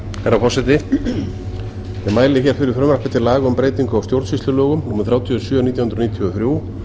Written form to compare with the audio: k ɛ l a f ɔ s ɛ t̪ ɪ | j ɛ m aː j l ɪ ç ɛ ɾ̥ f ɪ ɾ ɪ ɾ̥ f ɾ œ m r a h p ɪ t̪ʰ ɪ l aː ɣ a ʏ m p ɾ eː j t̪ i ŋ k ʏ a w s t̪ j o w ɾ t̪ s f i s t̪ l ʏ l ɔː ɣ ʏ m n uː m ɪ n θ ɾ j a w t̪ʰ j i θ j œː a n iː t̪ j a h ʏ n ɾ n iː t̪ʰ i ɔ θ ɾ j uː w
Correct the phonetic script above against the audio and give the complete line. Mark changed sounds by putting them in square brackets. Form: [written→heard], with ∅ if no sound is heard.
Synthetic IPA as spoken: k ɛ [l→ɾ] a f ɔ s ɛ t̪ ɪ | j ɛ m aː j l ɪ ç ɛ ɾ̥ f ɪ ɾ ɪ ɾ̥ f ɾ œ m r a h p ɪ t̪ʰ ɪ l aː ɣ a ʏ m p ɾ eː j t̪ i ŋ k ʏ a w s t̪ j o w ɾ t̪ s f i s t̪ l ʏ l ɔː ɣ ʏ m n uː m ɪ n θ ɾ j a w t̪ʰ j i [θ→s] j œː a n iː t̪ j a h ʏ n ɾ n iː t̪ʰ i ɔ θ ɾ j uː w